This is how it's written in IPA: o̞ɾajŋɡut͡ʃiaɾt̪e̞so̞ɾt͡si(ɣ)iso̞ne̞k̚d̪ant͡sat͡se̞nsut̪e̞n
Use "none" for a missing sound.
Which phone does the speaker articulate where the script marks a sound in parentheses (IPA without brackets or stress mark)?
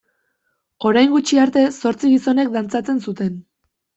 ɣ